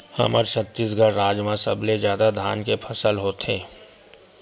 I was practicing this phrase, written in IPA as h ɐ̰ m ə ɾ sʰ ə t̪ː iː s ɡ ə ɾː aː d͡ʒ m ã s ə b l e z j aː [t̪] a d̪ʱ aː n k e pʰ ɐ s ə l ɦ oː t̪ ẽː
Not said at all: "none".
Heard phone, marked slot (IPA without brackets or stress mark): d̪